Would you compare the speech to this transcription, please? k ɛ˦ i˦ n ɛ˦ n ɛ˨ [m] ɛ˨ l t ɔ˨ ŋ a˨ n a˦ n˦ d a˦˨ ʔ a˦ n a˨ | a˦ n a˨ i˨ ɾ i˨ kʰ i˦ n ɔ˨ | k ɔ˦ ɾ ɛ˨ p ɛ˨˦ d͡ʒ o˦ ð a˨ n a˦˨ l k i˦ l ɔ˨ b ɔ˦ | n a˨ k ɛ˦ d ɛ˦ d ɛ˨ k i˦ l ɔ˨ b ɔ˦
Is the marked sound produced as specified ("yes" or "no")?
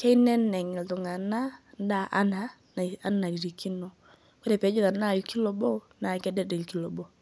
no